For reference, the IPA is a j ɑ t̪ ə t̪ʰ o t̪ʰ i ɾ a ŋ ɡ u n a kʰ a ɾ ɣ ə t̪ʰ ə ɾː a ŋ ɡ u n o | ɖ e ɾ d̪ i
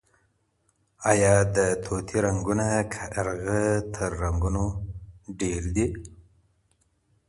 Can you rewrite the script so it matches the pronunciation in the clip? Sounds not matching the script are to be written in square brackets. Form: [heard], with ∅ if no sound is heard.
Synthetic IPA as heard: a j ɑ [d̪] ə t̪ʰ o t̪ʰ i ɾ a ŋ ɡ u n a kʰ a ɾ ɣ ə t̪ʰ ə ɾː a ŋ ɡ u n o | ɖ e ɾ d̪ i